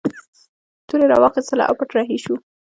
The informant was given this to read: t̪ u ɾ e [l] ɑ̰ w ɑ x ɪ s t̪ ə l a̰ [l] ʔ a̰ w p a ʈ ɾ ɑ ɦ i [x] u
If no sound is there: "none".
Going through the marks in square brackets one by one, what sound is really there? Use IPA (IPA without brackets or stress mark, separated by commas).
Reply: ɾ, none, ʃ